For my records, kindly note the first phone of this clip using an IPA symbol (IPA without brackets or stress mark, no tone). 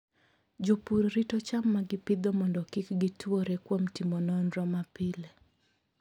d͡ʒ